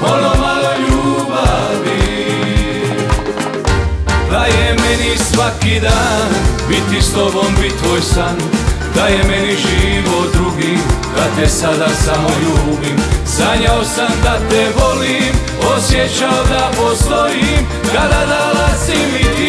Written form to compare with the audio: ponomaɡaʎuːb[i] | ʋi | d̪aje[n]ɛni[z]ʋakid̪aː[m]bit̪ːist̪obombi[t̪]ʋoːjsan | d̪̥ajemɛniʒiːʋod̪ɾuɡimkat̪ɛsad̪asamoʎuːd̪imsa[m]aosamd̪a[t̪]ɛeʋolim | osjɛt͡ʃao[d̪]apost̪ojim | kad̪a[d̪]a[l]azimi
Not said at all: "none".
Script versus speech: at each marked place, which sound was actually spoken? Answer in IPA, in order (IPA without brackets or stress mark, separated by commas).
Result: a, m, s, n, t̪, ɲ, t̪, d̪, d̪, l